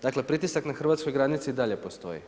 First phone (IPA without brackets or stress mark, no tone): d̪